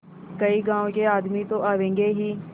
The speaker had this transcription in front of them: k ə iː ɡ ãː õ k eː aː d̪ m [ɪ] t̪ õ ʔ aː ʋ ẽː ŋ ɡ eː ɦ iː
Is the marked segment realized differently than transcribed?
yes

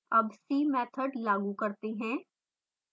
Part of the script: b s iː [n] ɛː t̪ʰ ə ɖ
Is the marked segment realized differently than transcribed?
yes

